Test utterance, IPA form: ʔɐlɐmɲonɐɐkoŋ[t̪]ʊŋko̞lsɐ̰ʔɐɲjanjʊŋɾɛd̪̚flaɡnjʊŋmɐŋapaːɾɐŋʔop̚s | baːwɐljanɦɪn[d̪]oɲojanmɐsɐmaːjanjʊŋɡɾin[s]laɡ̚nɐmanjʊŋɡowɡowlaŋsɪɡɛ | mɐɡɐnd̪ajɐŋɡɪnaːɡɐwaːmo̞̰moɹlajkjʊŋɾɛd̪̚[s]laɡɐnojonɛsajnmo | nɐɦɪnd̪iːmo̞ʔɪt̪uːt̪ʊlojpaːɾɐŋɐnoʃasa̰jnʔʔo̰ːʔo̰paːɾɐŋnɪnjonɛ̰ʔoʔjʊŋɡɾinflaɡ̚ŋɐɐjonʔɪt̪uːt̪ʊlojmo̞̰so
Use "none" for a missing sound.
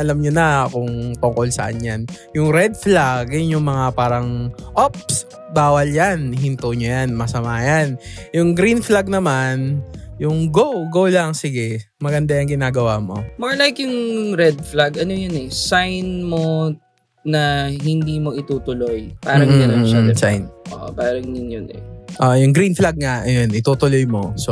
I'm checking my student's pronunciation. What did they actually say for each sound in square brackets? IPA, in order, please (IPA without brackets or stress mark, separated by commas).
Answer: t̪, t̪, f, f